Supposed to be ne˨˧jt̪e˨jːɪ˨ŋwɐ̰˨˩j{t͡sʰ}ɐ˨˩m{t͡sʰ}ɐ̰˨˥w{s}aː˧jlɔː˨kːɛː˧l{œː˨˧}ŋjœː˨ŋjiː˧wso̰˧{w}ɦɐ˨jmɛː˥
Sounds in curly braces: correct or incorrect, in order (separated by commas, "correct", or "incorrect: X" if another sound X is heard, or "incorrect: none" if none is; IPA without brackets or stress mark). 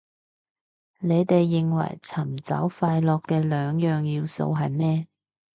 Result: correct, incorrect: t͡s, incorrect: f, correct, correct